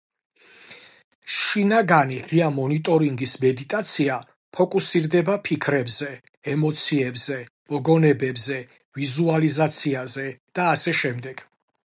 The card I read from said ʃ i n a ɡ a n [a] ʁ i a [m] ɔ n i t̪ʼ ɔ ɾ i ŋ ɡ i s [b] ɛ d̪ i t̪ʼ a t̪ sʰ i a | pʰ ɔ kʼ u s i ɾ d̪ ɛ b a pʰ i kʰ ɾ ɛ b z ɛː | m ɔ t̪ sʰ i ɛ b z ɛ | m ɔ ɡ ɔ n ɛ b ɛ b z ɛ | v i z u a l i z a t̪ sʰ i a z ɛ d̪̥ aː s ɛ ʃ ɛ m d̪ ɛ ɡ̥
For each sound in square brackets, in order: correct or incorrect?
incorrect: i, correct, incorrect: m

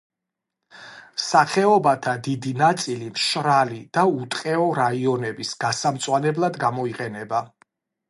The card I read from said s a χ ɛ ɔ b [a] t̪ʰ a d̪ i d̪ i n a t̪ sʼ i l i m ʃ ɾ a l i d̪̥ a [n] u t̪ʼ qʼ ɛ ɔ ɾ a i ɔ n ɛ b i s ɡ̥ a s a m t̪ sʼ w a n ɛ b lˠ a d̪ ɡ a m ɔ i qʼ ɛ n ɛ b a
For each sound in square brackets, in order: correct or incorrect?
correct, incorrect: none

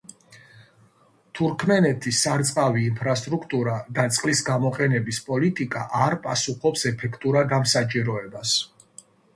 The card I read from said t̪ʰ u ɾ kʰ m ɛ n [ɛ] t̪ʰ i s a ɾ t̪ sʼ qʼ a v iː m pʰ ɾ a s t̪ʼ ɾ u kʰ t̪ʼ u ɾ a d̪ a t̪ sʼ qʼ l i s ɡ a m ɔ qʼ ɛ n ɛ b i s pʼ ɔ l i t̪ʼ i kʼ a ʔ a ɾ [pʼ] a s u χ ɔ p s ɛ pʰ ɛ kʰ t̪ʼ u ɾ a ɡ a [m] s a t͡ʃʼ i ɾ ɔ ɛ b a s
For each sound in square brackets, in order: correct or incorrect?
correct, correct, correct

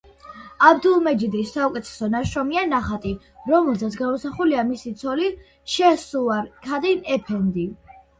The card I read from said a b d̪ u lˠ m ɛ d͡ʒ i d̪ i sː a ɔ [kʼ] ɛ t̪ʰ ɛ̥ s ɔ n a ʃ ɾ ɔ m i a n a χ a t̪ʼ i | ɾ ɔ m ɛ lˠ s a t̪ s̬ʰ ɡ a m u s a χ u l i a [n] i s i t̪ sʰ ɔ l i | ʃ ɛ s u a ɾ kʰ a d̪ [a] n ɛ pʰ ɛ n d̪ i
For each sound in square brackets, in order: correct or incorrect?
correct, incorrect: m, incorrect: i

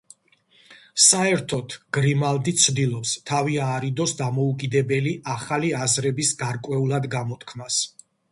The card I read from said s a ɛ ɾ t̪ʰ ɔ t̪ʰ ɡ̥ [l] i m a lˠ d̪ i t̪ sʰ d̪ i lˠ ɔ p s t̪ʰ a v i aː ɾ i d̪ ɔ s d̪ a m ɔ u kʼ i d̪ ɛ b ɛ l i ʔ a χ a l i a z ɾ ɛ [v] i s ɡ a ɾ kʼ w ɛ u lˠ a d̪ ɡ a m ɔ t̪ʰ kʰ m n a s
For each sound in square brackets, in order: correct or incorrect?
incorrect: ɾ, incorrect: b

